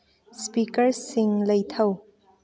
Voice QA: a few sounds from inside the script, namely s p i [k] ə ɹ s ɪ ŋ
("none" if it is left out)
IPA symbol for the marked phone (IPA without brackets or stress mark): k